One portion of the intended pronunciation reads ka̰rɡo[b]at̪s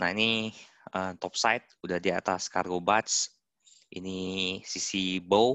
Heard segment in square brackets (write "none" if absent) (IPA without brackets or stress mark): b